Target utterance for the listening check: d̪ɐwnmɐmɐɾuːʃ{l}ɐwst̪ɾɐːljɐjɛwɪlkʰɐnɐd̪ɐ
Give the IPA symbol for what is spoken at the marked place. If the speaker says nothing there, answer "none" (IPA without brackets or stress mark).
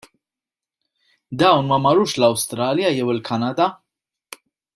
l